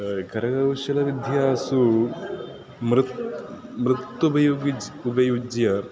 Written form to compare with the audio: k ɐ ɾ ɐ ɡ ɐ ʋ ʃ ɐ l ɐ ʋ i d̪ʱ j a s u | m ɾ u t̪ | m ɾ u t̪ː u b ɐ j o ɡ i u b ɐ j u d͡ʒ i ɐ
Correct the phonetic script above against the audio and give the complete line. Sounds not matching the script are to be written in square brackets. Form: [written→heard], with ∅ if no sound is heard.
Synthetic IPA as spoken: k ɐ ɾ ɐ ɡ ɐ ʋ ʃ ɐ l ɐ ʋ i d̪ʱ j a s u | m ɾ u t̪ | m ɾ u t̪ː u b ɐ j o ɡ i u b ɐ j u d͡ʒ [i→j] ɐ